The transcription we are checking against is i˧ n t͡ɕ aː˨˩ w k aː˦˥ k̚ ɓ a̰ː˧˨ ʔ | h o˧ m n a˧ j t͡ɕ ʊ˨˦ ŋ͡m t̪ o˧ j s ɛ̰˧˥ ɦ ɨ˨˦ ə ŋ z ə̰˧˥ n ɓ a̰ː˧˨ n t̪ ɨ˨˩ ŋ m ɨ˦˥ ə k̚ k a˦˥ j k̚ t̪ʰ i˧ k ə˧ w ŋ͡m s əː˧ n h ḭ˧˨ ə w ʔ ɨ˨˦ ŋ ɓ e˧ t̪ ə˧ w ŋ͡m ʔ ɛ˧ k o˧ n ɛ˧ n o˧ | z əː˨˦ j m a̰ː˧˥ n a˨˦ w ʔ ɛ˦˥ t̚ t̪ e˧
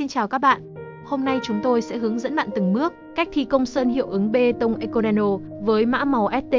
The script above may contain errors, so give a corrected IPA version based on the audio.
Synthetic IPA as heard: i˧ n t͡ɕ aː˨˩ w k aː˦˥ k̚ ɓ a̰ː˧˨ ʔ | h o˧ m n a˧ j t͡ɕ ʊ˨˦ ŋ͡m t̪ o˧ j s ɛ̰˧˥ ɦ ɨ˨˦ ə ŋ z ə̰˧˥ n ɓ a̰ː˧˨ n t̪ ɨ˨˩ ŋ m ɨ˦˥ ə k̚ k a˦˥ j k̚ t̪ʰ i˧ k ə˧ w ŋ͡m s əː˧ n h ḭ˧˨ ə w ʔ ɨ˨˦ ŋ ɓ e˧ t̪ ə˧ w ŋ͡m ʔ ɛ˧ k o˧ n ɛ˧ n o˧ | v əː˨˦ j m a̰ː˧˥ m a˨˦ w ʔ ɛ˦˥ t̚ t̪ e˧